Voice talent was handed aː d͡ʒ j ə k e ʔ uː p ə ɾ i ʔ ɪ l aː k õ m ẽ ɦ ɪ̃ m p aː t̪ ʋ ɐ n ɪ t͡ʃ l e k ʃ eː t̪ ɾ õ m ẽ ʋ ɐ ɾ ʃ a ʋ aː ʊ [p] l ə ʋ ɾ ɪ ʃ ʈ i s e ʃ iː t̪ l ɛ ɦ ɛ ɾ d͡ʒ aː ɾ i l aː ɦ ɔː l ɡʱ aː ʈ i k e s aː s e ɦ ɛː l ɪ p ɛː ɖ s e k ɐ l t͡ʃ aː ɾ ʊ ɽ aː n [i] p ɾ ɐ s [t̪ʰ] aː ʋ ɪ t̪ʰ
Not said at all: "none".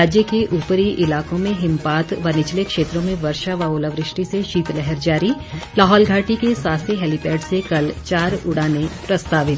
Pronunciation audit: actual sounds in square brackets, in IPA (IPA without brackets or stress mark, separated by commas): none, e, t̪